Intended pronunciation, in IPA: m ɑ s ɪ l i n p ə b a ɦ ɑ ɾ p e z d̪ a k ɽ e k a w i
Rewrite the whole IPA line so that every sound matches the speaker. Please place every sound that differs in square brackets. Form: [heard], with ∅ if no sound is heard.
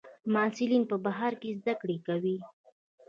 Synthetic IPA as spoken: m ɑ s ɪ l i n p ə b a ɦ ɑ ɾ [k] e z d̪ a k ɽ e k a w i